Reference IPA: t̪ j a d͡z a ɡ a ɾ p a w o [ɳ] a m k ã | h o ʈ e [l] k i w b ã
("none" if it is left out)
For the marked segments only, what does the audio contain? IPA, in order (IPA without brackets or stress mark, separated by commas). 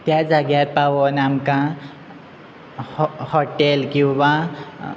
n, l